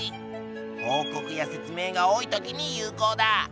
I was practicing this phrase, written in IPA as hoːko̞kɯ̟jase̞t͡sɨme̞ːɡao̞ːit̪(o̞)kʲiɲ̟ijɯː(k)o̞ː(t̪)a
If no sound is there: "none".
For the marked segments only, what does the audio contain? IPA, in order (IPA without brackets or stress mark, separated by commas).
o̞, k, d̪